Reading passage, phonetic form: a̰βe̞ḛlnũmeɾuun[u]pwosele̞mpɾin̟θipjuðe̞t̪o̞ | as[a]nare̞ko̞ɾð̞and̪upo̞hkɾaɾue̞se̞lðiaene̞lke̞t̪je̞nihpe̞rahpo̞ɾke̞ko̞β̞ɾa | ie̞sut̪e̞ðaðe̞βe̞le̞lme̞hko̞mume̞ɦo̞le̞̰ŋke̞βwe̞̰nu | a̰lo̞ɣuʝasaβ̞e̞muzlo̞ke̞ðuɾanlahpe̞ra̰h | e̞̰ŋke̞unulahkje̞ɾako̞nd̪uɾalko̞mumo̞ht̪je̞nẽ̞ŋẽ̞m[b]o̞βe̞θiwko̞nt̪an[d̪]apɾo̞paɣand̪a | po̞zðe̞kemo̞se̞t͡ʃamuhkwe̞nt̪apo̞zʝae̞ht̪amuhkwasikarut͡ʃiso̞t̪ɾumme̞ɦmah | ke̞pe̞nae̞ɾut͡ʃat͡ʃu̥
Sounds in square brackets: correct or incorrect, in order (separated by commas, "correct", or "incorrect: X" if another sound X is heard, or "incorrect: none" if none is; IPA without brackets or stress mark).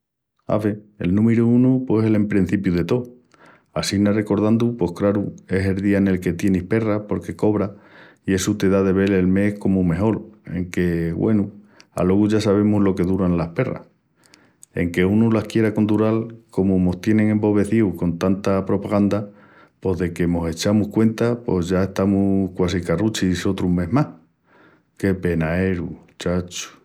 correct, incorrect: i, correct, incorrect: t̪